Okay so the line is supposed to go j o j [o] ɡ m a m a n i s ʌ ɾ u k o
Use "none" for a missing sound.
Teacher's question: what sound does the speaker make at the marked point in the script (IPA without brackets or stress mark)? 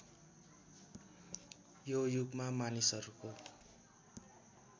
u